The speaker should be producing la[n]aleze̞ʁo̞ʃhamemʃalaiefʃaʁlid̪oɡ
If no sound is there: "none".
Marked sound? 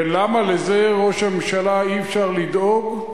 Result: m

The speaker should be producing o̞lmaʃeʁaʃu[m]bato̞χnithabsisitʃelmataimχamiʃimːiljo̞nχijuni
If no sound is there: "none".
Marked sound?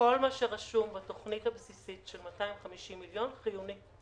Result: m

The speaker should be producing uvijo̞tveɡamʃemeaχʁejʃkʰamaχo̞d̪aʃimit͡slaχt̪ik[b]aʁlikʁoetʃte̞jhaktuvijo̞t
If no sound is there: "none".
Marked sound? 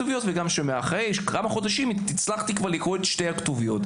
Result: v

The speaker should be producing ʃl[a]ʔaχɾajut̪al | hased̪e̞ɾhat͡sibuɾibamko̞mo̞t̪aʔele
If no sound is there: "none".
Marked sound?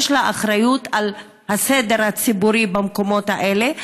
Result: a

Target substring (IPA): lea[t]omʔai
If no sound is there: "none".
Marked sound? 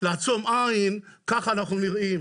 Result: t͡s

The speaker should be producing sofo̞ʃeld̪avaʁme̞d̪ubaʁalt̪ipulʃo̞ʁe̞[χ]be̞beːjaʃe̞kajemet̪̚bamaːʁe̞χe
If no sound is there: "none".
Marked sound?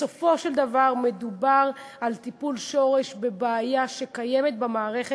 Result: ʃ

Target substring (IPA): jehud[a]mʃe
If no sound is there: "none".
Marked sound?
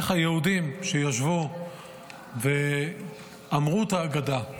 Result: i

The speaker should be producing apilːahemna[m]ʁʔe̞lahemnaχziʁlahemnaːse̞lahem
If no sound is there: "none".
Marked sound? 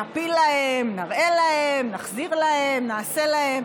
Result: none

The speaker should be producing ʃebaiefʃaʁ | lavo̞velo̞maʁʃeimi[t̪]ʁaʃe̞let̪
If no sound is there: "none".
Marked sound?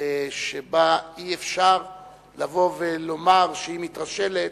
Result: t̪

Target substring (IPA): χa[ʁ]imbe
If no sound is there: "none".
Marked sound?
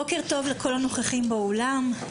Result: χ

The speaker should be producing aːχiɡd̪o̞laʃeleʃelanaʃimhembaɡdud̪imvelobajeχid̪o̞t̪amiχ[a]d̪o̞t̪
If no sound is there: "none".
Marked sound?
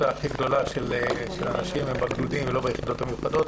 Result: a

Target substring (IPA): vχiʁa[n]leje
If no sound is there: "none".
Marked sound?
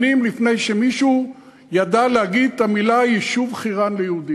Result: n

